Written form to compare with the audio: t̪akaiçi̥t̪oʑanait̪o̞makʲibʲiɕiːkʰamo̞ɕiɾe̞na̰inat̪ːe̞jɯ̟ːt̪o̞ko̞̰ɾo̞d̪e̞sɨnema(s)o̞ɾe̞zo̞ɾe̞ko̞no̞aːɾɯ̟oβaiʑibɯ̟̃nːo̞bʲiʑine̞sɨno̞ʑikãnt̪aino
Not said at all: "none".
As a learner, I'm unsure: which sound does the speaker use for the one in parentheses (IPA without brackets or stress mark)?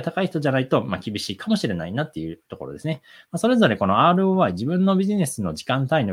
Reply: s